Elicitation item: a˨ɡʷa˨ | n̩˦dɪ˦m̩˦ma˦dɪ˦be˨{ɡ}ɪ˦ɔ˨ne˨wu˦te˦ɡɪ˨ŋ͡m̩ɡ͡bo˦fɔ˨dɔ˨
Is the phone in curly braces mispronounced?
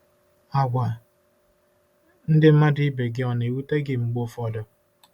no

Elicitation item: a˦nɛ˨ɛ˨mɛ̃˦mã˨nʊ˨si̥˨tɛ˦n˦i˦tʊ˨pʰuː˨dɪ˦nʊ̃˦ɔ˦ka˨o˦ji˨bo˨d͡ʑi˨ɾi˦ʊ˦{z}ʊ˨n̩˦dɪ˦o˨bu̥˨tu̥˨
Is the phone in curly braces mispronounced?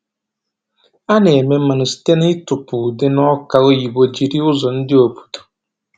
no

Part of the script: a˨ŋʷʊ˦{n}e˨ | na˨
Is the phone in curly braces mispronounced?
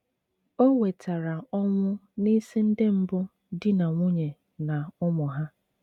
yes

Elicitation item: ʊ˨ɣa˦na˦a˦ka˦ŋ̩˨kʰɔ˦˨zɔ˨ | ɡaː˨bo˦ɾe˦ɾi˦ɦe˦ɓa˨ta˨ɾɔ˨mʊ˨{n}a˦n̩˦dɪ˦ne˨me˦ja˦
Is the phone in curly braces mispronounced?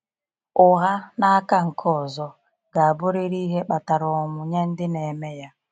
yes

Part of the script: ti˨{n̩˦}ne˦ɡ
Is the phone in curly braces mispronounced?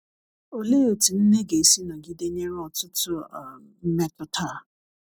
no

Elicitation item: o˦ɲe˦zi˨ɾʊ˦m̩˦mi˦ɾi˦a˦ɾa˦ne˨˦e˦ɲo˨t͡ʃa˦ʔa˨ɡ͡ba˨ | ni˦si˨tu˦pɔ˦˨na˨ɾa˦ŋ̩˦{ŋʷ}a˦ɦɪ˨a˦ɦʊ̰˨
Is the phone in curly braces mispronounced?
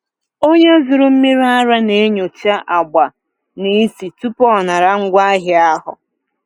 yes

